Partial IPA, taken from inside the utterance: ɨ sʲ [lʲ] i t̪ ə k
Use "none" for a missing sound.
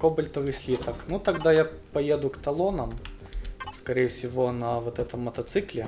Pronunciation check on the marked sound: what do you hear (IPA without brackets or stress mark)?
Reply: lʲ